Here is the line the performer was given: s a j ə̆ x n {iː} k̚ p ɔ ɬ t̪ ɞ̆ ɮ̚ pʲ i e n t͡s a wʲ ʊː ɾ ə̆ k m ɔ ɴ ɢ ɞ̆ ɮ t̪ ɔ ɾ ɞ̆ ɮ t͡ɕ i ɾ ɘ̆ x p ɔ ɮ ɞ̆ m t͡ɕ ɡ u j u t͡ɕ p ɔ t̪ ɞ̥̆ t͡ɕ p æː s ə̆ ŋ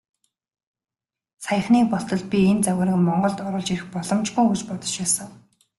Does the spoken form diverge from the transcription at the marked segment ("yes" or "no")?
no